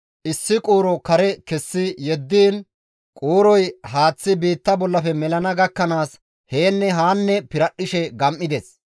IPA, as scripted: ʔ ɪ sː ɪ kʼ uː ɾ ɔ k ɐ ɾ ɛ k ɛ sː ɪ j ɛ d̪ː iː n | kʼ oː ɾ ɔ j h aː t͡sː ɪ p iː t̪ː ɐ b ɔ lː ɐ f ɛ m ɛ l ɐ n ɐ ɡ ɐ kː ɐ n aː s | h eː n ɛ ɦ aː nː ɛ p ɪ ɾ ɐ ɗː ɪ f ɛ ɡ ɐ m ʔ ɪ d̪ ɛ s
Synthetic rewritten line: ʔ ɪ sː ɪ kʼ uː ɾ ɔ k ɐ ɾ ɛ k ɛ sː ɪ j ɛ d̪ː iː n | kʼ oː ɾ ɔ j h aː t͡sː ɪ b iː t̪ː ɐ b ɔ lː ɐ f ɛ m ɛ l ɐ n ɐ ɡ ɐ kː ɐ n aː s | h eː nː ɛ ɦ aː nː ɛ p ɪ ɾ ɐ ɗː ɪ ʃ ɛ ɡ ɐ m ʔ ɪ d̪ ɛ s